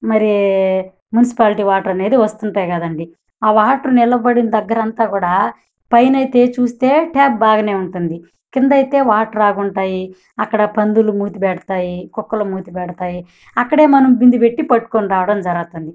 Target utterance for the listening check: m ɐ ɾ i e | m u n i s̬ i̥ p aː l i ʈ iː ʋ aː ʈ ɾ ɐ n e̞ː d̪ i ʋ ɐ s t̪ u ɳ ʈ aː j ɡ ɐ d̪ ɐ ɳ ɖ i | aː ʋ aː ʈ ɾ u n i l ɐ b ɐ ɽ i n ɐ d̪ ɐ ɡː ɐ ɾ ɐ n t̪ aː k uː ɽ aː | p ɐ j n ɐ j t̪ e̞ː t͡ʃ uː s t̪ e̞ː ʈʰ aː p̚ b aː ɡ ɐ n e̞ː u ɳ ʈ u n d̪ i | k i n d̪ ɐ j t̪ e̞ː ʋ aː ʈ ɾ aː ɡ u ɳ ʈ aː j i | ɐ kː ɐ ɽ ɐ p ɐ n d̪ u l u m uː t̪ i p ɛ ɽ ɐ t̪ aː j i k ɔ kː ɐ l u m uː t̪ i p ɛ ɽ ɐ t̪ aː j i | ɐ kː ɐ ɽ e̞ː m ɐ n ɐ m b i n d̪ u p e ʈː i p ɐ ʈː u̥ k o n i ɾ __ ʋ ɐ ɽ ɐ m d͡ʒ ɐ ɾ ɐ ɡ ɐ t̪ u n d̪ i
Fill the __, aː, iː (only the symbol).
aː